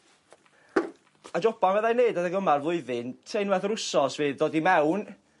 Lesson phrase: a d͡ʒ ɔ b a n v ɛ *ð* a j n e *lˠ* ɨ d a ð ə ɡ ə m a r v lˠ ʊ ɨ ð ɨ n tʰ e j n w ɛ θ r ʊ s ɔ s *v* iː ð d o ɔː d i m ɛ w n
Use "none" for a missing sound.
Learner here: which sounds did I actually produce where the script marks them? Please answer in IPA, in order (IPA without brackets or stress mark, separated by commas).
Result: ð, none, v